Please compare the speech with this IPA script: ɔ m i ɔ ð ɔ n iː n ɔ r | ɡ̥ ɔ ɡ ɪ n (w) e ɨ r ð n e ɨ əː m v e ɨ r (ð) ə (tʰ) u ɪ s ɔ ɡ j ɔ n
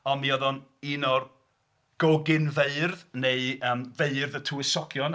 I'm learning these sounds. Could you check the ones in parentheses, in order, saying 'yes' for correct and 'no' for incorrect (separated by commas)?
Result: no, yes, yes